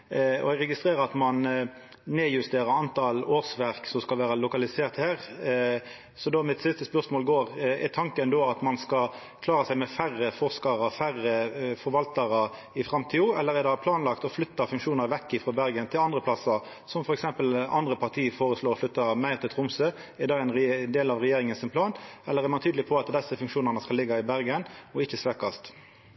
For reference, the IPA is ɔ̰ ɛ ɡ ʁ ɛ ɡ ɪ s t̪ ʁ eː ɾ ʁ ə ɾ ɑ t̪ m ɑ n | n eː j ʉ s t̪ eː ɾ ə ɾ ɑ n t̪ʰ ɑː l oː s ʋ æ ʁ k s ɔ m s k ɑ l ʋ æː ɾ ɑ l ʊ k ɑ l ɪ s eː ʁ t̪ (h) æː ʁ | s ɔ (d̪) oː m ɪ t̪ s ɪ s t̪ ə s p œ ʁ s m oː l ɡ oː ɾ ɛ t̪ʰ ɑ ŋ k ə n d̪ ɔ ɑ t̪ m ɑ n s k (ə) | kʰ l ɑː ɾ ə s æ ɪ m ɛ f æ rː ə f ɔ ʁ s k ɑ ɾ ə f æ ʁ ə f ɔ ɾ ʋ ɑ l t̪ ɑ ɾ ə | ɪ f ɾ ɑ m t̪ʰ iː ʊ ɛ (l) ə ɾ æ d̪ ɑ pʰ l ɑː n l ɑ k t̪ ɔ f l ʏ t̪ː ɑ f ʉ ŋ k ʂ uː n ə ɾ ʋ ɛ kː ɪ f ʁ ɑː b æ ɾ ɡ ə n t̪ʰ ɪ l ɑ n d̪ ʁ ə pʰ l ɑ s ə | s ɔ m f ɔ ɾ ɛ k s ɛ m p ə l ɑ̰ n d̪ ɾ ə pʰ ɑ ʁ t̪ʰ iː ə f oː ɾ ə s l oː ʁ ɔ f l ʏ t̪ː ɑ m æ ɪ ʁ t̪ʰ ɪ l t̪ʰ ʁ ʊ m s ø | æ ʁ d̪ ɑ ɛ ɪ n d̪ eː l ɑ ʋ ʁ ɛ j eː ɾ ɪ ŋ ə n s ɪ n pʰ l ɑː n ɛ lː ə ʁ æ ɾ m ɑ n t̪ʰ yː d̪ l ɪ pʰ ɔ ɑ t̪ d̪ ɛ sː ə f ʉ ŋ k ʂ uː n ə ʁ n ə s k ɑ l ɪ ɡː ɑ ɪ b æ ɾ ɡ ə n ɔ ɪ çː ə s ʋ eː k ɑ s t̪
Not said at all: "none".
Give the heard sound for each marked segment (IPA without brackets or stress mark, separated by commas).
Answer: h, d̪, ɑ, lː